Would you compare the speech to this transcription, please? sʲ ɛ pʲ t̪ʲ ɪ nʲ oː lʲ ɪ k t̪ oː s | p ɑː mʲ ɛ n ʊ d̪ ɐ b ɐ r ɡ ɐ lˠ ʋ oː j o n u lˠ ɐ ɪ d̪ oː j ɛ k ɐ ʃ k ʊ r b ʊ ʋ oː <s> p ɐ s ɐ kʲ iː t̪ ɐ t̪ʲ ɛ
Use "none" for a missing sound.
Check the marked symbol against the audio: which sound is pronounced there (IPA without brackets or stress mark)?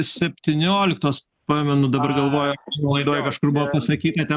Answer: none